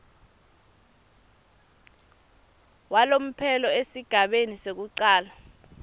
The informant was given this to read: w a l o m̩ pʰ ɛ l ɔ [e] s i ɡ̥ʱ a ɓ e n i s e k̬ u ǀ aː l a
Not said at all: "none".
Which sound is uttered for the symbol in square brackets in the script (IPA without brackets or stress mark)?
e